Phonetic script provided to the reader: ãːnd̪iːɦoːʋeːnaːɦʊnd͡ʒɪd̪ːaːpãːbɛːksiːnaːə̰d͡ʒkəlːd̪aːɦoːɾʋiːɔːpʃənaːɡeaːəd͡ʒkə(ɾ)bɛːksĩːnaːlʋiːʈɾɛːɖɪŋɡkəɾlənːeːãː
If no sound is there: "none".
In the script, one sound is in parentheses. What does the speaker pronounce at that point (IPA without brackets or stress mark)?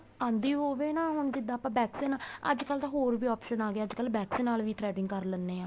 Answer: l